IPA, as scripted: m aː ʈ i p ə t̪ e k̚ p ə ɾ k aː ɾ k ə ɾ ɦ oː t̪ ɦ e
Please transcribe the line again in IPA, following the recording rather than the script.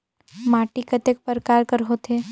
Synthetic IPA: m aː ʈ i k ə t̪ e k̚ p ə ɾ k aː ɾ k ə ɾ ɦ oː t̪ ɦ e

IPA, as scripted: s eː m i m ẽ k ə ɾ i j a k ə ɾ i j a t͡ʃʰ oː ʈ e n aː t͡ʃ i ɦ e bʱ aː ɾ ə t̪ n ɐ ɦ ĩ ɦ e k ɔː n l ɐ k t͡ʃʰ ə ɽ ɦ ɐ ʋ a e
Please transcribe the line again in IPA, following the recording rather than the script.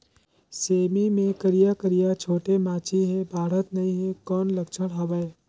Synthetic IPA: s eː m i m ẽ k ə ɾ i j a k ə ɾ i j a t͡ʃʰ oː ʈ e m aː t͡ʃ i ɦ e bʱ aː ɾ ə t̪ n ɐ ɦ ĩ ɦ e k ɔː n l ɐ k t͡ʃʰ ə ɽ ɦ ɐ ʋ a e

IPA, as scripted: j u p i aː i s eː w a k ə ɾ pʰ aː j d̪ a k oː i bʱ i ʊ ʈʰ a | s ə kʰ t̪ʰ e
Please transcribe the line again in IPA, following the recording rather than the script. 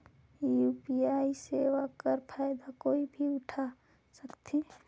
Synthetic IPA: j u p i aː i s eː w a k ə ɾ pʰ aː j d̪ a k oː i bʱ i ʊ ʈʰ a | s ə k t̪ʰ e

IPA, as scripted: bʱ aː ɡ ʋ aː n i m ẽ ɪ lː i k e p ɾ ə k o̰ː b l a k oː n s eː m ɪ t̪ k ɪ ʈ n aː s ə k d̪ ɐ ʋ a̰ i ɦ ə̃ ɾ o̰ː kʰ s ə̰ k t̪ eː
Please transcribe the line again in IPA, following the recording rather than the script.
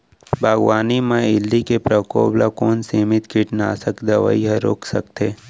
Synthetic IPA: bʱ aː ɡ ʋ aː n i m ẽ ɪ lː i k e p ɾ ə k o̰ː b l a k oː n s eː m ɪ t̪ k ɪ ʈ n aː s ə k d̪ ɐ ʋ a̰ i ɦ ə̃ ɾ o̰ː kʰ s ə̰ k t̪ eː

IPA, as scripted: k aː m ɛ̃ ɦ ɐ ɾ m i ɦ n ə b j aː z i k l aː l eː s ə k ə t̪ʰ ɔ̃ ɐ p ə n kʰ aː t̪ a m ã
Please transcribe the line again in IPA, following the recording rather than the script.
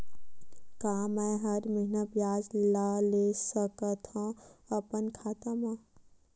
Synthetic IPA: k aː m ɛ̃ ɦ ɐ ɾ m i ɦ n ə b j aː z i l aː l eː s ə k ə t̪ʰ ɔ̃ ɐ p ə n kʰ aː t̪ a m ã

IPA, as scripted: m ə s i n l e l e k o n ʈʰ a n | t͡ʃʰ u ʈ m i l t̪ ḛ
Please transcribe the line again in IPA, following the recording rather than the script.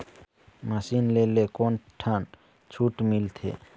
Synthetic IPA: m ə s i n l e l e k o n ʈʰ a n | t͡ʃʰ u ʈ m i l t̪ʰ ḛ

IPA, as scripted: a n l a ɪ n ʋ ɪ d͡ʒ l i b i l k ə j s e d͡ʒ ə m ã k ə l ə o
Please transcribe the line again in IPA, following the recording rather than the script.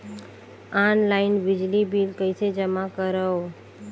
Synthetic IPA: a n l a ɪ n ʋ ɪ d͡ʒ l i b i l k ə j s e d͡ʒ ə m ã k ə ɾ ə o

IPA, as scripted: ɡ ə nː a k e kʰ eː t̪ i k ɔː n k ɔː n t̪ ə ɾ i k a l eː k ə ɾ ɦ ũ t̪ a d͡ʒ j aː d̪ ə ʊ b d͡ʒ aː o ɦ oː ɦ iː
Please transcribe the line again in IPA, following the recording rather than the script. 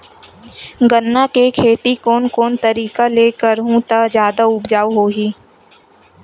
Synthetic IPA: ɡ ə nː a k e kʰ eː t̪ i k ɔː n k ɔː n t̪ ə ɾ iː k a l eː k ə ɾ ɦ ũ t̪ a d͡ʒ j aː d̪ a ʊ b d͡ʒ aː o ɦ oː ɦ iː

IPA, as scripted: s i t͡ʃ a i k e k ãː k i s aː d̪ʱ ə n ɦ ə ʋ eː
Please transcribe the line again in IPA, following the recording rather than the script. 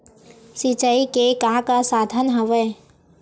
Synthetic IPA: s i t͡ʃ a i k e k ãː k a s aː d̪ʱ ə n ɦ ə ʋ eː

